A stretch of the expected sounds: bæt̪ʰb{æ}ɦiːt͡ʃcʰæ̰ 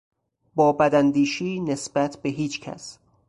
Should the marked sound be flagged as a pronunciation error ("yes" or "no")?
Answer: yes